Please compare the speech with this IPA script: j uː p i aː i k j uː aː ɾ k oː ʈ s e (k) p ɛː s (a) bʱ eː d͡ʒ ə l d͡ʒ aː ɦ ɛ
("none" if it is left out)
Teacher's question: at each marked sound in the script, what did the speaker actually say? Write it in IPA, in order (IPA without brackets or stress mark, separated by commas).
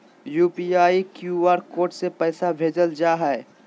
none, a